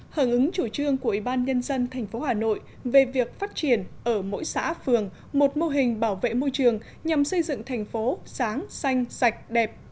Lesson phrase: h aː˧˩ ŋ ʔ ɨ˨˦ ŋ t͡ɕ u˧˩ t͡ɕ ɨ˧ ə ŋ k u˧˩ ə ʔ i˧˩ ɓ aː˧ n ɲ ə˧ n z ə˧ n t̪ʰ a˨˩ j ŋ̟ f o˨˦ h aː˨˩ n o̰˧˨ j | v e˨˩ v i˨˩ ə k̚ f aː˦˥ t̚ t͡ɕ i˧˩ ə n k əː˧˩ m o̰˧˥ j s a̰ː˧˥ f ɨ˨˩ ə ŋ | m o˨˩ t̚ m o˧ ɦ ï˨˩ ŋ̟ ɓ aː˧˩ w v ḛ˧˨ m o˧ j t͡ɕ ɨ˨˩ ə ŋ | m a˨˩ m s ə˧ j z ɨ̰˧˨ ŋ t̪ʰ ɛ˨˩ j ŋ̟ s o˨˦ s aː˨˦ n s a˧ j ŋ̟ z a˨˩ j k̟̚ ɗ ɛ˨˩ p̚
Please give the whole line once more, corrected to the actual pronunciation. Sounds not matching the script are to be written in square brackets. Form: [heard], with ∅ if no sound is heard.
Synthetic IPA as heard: h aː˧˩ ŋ ʔ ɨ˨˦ ŋ t͡ɕ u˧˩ t͡ɕ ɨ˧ ə ŋ k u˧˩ ə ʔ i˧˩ ɓ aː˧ n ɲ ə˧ n z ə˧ n t̪ʰ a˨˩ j ŋ̟ f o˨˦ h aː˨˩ n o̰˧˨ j | v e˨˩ v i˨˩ ə k̚ f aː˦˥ t̚ t͡ɕ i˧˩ ə n [ʔ] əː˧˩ m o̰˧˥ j s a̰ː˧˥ f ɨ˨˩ ə ŋ | m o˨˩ t̚ m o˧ ɦ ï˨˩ ŋ̟ ɓ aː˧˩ w v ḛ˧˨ m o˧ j t͡ɕ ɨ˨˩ ə ŋ | [ɲ] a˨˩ m s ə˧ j z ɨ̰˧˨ ŋ t̪ʰ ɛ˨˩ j ŋ̟ [f] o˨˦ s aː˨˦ [ŋ] s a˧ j ŋ̟ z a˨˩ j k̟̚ ɗ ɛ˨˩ p̚